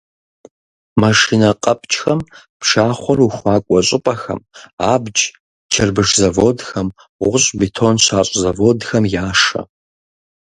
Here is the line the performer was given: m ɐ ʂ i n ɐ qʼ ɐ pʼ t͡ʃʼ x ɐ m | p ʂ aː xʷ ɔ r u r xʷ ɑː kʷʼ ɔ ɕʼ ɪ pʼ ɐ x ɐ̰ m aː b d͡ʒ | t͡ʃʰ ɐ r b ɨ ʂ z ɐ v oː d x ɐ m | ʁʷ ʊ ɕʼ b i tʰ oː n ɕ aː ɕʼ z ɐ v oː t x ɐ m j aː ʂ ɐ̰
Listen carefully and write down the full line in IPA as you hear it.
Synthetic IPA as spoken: m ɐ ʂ i n ɐ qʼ ɐ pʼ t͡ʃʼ x ɐ m | p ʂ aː χʷ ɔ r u xʷ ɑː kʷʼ ɔ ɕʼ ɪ pʼ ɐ x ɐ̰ m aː b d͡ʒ | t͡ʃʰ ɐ r b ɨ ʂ z ɐ v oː d x ɐ m | ʁʷ ʊ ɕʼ b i tʰ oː n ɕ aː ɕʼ z ɐ v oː d x ɐ m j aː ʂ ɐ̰